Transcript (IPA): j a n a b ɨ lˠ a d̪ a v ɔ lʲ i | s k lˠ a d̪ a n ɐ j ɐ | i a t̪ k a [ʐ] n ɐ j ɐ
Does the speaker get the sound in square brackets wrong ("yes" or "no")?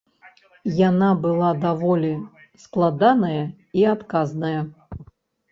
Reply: yes